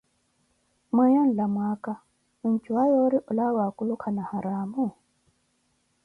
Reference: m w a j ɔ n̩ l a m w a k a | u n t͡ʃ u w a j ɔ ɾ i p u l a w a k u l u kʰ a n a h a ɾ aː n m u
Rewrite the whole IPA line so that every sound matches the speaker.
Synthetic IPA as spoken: m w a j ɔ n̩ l a m w a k a | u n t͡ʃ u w a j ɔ ɾ i ʔ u l a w a k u l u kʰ a n a h a ɾ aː m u